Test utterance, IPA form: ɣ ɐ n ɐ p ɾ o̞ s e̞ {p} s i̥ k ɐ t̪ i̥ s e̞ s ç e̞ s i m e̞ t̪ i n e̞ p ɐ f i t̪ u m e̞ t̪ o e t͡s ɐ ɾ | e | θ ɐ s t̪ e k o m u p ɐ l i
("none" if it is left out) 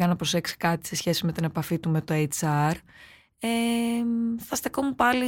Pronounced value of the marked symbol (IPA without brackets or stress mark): k